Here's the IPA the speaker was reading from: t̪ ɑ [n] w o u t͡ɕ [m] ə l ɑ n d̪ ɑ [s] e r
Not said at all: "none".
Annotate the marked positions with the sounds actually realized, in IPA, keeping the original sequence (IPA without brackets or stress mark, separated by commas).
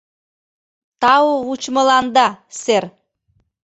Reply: none, m, s